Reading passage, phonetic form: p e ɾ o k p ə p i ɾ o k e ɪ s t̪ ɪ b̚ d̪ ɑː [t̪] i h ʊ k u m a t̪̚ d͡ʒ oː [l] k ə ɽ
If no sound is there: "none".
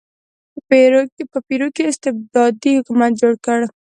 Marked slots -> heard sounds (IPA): d̪, ɽ

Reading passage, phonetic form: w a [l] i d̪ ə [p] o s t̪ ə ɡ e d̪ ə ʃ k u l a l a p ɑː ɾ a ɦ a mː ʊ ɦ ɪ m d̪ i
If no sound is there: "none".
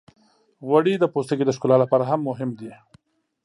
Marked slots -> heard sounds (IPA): ɽ, p

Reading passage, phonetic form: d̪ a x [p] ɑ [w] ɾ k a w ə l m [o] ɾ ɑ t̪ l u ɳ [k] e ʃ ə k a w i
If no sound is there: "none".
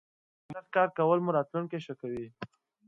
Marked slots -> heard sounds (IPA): k, none, u, k

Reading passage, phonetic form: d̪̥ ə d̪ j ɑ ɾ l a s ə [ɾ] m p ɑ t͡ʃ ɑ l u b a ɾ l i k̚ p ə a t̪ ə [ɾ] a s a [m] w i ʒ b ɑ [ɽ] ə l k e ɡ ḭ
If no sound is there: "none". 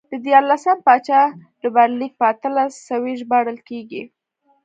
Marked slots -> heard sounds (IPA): none, l, none, ɽ

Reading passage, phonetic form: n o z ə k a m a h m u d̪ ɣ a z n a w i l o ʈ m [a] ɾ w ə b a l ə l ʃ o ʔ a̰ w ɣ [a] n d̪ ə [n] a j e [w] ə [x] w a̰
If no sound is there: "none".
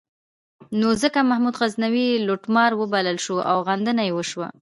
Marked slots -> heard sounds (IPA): ɑ, a, n, w, ʃ

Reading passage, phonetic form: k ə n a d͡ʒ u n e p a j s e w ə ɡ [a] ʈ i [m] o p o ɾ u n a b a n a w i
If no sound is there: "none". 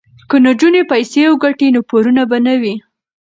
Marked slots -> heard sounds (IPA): a, n

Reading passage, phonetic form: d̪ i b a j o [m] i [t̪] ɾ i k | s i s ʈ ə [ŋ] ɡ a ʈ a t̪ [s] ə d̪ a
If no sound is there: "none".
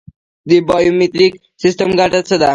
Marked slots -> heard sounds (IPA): m, t̪, m, s

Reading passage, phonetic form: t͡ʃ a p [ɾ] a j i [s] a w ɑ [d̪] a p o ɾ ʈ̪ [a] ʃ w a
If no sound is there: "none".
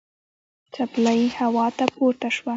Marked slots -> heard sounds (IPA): l, h, t̪, a

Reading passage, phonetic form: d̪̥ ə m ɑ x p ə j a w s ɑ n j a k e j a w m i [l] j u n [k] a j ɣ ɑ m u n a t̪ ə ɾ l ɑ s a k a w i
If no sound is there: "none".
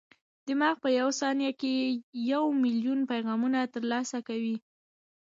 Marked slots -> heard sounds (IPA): l, p

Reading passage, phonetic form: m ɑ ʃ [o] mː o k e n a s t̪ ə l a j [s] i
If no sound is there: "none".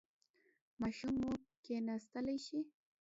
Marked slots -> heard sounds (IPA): u, ʃ

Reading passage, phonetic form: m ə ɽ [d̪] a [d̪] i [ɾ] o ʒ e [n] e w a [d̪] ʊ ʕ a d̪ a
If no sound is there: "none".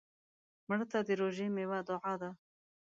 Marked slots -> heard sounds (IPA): t̪, d̪, ɾ, m, d̪

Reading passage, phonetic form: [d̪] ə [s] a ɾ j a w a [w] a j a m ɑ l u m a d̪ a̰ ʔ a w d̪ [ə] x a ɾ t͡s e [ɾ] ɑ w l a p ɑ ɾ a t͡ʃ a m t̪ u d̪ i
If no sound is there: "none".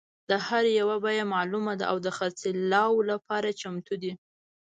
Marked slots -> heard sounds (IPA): d̪, h, b, ə, l

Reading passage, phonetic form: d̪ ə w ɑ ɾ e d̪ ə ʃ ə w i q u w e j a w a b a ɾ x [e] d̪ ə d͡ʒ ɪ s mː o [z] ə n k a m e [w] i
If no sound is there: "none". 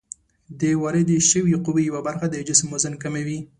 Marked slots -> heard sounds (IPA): a, z, w

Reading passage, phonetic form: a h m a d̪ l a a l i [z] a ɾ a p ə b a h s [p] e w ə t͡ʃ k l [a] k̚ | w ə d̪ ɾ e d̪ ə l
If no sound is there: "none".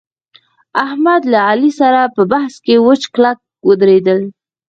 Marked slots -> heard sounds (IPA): s, k, a

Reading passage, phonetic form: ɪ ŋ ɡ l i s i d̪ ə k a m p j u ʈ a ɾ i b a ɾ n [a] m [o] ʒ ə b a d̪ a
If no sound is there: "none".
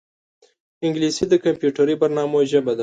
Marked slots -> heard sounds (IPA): ɑ, o

